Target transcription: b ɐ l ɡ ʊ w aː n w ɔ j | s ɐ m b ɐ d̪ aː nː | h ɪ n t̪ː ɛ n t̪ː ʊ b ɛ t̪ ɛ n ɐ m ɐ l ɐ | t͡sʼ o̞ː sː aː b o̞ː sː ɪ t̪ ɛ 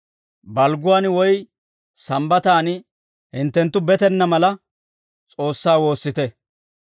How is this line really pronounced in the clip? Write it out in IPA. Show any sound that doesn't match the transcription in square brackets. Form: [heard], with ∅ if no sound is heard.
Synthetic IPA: b ɐ l ɡ ʊ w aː n w ɔ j | s ɐ m b ɐ [t̪] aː [n] | h ɪ n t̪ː ɛ n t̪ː ʊ b ɛ t̪ ɛ [nː] ɐ m ɐ l ɐ | t͡sʼ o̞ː sː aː [w] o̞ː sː ɪ t̪ ɛ